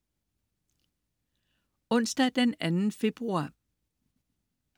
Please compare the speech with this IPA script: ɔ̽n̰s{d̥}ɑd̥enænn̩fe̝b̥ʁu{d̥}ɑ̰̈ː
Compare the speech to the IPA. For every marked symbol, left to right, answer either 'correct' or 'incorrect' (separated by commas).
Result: correct, incorrect